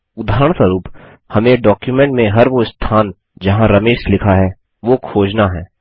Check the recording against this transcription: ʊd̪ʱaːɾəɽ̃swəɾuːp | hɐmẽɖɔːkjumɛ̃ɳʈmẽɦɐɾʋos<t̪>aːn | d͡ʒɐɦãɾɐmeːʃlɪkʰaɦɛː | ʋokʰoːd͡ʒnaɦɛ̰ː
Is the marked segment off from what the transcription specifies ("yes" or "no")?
yes